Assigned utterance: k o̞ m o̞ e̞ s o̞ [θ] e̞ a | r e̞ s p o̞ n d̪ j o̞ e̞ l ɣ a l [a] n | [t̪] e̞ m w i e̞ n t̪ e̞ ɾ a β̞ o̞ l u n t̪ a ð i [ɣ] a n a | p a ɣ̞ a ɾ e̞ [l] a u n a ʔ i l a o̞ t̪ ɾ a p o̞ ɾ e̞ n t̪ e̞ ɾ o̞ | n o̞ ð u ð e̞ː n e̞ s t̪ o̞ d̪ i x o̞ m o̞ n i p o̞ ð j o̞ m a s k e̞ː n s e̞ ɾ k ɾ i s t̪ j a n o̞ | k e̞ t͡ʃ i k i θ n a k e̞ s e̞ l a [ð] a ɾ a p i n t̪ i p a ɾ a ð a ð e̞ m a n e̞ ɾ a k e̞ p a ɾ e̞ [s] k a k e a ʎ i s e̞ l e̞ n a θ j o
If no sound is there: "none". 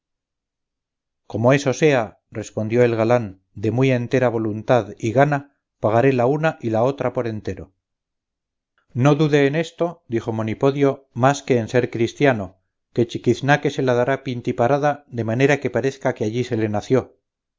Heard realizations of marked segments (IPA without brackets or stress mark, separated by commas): s, a, d̪, ɣ, l, ð, θ